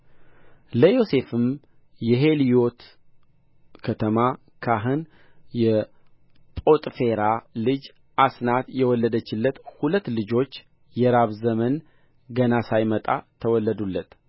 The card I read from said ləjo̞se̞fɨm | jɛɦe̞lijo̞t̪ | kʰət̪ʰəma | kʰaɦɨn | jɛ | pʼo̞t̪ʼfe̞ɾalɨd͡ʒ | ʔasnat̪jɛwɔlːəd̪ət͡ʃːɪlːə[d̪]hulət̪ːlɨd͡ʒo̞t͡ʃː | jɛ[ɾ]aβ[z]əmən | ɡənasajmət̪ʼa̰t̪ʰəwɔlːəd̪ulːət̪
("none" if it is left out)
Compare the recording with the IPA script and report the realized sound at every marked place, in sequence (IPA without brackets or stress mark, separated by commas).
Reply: t̪, ɾ, z